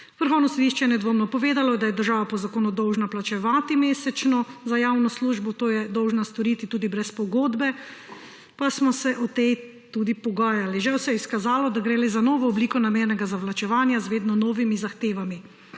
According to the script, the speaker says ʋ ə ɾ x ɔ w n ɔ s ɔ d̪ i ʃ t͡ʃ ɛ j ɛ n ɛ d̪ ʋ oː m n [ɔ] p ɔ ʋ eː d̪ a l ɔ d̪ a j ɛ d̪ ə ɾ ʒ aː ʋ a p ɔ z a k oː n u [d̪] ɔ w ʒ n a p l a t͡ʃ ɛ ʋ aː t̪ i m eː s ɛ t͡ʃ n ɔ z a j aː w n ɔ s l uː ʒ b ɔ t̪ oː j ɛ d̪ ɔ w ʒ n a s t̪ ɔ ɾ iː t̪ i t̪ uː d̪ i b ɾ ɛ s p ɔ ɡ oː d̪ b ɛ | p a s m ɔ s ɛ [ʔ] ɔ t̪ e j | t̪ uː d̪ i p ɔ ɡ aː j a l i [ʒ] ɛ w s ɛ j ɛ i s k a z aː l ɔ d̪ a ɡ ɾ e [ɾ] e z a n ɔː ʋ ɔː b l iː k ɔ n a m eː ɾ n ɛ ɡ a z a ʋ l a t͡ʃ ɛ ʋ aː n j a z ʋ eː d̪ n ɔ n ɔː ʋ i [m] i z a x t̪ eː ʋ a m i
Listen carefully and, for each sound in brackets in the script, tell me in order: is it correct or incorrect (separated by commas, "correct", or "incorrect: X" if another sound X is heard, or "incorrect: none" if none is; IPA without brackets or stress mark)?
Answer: correct, correct, correct, correct, incorrect: l, correct